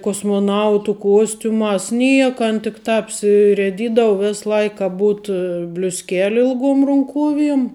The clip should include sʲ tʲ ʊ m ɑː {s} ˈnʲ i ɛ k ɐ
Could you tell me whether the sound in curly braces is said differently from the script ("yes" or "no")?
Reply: no